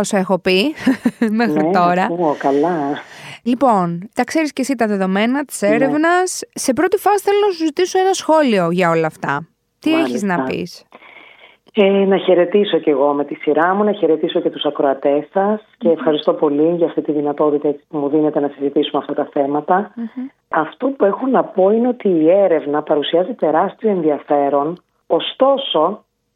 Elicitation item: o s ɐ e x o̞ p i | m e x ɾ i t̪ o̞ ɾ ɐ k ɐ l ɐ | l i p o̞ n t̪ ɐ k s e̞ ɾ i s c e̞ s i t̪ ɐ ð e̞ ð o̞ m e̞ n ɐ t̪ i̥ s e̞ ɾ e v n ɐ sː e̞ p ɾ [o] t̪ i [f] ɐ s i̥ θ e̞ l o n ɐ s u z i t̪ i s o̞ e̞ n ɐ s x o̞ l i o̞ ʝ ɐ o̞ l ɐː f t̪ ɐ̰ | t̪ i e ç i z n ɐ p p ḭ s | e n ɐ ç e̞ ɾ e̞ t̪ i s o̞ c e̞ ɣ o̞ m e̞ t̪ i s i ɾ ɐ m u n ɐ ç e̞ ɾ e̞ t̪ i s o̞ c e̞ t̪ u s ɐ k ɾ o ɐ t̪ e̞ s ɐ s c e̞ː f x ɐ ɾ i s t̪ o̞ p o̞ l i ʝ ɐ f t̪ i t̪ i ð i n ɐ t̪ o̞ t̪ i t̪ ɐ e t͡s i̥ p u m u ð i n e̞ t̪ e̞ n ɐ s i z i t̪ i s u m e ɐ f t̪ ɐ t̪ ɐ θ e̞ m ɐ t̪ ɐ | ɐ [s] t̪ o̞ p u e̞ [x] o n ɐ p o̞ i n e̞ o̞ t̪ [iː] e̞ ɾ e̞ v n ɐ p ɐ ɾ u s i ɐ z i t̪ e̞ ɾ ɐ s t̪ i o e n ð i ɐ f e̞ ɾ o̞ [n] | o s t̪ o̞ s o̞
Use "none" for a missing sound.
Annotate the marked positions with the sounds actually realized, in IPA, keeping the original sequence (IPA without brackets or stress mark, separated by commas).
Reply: o, f, f, x, iː, n